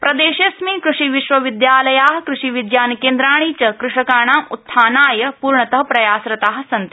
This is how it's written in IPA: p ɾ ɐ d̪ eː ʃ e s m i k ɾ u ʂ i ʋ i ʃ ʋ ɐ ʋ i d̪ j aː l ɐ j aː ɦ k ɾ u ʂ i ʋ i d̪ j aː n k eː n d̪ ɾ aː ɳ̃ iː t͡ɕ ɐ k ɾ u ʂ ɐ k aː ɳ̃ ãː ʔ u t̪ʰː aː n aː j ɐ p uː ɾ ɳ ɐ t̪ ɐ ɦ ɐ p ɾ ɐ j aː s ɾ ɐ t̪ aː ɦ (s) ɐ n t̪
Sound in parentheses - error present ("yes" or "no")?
no